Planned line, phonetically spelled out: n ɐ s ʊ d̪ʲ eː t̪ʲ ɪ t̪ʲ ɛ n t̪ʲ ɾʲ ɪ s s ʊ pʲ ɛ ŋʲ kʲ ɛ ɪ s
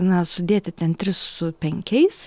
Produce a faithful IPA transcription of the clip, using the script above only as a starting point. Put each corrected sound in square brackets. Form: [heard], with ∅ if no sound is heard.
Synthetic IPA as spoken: n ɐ s ʊ d̪ʲ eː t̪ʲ ɪ t̪ʲ ɛ n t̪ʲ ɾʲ ɪ s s ʊ pʲ ɛ ŋʲ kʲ ɛ ɪ s